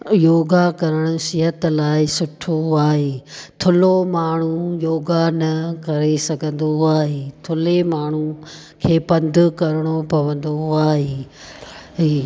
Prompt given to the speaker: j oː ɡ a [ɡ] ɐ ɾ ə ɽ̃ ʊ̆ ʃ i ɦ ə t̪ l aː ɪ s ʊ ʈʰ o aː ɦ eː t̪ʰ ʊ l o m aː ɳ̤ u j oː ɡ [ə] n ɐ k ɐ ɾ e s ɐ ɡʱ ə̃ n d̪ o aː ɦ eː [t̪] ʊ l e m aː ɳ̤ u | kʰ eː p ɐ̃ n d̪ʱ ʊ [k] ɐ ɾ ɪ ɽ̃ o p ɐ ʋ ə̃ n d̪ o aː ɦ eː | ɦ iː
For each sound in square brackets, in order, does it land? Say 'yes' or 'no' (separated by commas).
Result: no, no, no, yes